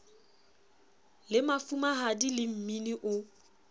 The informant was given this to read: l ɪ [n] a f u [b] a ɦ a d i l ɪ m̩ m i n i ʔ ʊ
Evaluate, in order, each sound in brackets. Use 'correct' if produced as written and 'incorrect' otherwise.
incorrect, incorrect

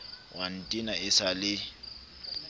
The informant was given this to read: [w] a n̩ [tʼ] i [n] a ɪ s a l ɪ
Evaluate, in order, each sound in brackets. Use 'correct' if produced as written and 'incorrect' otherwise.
correct, correct, correct

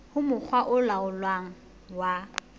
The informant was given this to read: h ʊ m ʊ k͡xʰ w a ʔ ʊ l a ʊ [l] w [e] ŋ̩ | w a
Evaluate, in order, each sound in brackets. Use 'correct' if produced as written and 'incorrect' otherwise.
correct, incorrect

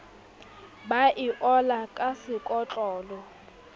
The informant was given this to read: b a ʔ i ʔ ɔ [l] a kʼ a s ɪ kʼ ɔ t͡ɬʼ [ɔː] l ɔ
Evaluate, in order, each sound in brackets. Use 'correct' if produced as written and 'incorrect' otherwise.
correct, correct

